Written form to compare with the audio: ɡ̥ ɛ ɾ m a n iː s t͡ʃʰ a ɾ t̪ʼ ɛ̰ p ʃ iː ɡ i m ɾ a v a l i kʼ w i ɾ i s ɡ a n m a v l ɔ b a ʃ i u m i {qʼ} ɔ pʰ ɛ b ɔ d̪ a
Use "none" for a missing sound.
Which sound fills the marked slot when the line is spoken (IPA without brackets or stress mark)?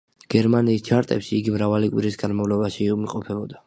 qʼ